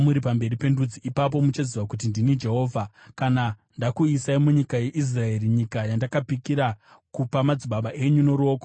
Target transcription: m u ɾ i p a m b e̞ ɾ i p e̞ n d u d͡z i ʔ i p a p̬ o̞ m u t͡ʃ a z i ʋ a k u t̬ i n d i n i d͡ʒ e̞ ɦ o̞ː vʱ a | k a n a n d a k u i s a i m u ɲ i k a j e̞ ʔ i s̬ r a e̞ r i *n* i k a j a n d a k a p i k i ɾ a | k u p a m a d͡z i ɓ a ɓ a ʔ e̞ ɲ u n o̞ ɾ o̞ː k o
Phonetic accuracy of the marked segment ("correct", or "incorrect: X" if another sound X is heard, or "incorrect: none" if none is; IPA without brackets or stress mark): incorrect: ɲ